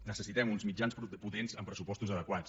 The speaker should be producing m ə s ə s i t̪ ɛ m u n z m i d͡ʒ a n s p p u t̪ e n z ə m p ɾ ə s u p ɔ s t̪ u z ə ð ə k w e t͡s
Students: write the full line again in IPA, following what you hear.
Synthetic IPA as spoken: n ə s ə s i t̪ ɛ m u n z m i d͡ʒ a n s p p u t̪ e n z ə m p ɾ ə s u p ɔ s t̪ u z ə ð ə k w a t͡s